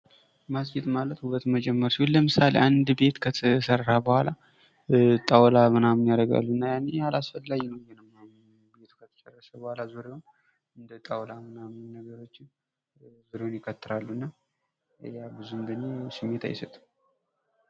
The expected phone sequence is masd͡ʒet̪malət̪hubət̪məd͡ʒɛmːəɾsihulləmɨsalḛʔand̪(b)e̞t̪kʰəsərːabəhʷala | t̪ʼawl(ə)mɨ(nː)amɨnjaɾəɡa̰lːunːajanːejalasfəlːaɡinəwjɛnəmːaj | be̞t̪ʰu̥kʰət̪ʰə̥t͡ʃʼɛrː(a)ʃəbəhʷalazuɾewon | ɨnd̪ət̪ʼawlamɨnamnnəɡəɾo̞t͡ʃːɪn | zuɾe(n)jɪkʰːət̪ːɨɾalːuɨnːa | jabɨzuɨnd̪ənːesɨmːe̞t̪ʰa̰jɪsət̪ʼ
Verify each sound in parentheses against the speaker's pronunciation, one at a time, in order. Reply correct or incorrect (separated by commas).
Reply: correct, incorrect, incorrect, incorrect, correct